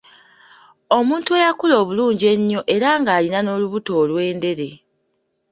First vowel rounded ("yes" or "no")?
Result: yes